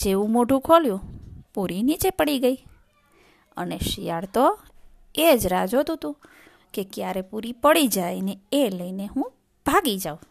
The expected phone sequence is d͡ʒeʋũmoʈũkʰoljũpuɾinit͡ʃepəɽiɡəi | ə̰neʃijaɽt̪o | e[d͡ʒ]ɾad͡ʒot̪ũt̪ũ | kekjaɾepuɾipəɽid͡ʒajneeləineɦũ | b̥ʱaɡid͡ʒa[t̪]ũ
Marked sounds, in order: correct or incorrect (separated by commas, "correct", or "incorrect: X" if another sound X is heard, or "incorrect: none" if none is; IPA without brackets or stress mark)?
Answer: correct, incorrect: none